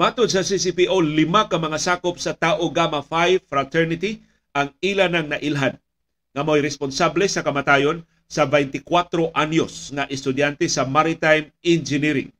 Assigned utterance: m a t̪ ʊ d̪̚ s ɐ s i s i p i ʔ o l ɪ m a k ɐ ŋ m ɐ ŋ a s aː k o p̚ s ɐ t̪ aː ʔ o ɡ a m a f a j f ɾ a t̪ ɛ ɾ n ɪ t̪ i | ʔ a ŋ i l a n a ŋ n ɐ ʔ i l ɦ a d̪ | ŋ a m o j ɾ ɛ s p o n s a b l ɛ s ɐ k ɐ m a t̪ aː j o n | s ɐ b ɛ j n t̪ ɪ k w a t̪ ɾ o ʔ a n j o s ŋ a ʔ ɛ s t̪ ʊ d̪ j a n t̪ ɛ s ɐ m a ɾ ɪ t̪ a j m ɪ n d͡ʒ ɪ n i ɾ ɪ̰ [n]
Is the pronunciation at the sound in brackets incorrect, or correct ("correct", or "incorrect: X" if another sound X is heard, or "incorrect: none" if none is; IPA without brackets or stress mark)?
incorrect: ŋ